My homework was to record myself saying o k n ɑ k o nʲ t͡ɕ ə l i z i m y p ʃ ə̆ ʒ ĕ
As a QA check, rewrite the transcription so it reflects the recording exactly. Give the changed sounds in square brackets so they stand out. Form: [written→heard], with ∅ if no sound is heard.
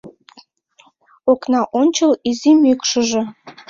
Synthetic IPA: o k n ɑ [k→ʔ] o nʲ t͡ɕ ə l i z i m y [p→k] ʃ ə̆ ʒ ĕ